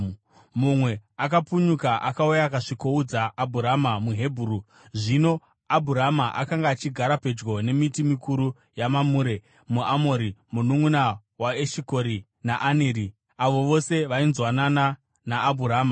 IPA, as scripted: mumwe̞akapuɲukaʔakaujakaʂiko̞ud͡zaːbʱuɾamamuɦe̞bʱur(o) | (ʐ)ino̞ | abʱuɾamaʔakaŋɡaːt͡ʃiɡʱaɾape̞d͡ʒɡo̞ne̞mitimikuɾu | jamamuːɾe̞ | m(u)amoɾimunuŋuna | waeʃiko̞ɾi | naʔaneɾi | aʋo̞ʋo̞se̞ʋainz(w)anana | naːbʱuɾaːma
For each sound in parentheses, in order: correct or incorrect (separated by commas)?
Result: incorrect, correct, correct, correct